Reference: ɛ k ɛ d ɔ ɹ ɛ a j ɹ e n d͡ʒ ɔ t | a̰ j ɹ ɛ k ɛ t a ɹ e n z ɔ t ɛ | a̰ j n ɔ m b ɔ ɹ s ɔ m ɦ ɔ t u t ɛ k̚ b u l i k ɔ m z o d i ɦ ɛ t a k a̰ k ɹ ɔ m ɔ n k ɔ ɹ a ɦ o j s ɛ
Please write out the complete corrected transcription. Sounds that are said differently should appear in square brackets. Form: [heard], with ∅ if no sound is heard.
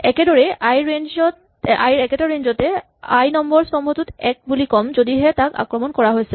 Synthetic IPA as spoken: ɛ k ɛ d ɔ ɹ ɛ a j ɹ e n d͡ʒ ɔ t | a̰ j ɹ ɛ k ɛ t a ɹ e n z ɔ t ɛ | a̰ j n ɔ m b ɔ ɹ s ɔ m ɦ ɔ t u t ɛ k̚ b u l i k ɔ m z o d i ɦ ɛ t a k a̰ k ɹ ɔ m ɔ n k ɔ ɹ a ɦ o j s ɛ

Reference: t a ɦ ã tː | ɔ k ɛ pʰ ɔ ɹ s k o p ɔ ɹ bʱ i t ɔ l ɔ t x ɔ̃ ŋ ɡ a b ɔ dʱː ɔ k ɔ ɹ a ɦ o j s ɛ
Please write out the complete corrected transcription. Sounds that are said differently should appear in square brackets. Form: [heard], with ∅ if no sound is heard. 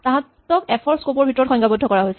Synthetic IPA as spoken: t a ɦ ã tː | ɔ k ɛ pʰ ɔ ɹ s k o p ɔ ɹ bʱ i t ɔ [ɹ] ɔ t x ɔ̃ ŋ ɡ a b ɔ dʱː ɔ k ɔ ɹ a ɦ o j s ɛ

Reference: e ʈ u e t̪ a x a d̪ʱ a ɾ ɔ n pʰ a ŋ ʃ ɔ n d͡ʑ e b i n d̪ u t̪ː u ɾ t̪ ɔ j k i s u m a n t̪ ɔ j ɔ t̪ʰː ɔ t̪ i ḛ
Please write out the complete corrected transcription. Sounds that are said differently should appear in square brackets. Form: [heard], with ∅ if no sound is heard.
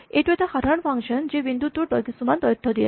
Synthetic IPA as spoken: e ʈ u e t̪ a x a d̪ʱ a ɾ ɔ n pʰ a ŋ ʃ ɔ n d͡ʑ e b i n d̪ u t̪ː u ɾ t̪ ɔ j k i s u m a n t̪ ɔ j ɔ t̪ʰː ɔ [d̪] i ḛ

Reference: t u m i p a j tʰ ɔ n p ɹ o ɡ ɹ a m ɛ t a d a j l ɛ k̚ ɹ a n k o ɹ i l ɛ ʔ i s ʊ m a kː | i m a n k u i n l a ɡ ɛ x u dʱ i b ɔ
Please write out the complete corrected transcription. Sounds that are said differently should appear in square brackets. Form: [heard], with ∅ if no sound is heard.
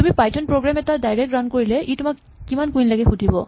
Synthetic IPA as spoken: t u m i p a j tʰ ɔ n p ɹ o ɡ ɹ a m ɛ t a d a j [ɹ] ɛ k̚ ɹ a n k o ɹ i l ɛ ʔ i [t] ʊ m a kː | i m a n k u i n l a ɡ ɛ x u dʱ i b ɔ

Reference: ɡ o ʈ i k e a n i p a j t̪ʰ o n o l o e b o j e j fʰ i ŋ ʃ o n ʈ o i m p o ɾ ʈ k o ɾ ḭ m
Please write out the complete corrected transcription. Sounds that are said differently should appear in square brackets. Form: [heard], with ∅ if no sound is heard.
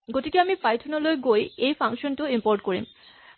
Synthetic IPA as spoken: ɡ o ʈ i k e a [m] i p a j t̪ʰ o n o l o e [ɡ] o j e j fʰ [a] ŋ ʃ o n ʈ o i m p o ɾ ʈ k o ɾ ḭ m

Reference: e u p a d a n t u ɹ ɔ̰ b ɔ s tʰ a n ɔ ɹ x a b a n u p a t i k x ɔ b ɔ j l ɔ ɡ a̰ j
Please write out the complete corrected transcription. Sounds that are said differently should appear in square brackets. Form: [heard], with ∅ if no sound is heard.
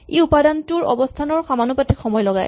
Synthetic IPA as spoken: e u p a d a n t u ɹ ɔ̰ b ɔ s tʰ a n ɔ ɹ x a [m] a n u p a t i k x ɔ [m] ɔ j l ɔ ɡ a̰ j

